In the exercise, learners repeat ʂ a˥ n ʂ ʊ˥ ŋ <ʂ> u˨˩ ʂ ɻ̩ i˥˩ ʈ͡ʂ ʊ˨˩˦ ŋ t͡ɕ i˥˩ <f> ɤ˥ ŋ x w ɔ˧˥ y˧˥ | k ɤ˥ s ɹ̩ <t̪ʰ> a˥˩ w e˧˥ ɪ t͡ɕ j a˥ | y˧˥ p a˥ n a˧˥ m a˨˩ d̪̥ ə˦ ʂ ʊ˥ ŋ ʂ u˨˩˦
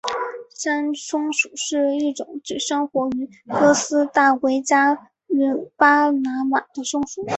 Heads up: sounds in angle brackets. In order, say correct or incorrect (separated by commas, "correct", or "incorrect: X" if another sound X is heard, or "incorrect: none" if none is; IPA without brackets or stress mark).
correct, incorrect: ʂ, incorrect: t̪